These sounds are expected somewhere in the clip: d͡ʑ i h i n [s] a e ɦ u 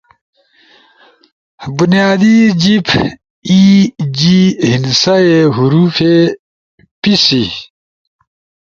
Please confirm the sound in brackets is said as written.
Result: yes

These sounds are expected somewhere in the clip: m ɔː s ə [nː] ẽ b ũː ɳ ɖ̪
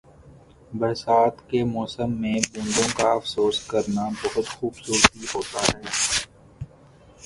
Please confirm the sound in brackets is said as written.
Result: no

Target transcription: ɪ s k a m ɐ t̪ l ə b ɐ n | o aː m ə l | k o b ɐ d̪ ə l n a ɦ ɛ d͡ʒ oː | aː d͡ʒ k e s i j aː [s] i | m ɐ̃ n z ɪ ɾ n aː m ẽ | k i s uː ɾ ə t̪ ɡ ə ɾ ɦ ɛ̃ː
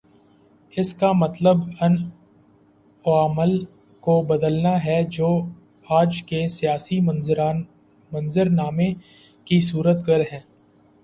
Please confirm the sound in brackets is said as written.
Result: yes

